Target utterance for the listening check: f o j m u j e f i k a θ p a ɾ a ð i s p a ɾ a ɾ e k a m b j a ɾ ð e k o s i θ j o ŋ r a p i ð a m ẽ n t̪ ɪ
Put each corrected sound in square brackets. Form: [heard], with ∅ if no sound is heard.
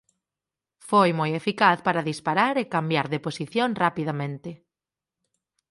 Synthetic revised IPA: f o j m [o] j e f i k a θ p a ɾ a ð i s p a ɾ a ɾ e k a m b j a ɾ ð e [p] o s i θ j o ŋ r a p i ð a m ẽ n t̪ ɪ